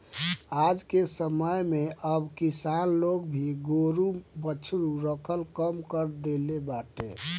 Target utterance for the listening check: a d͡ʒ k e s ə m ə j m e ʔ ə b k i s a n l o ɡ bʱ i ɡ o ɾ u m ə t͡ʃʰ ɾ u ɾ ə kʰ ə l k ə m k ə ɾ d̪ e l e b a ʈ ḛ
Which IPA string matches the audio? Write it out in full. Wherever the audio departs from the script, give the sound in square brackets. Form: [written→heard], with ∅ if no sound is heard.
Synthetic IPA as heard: a d͡ʒ k e s ə m ə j m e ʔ ə b k i s a n l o ɡ bʱ i ɡ o ɾ u [m→b] ə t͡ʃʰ ɾ u ɾ ə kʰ ə l k ə m k ə ɾ d̪ e l e b a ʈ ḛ